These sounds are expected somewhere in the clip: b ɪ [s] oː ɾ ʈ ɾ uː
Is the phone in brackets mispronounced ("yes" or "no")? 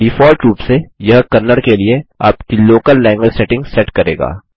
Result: yes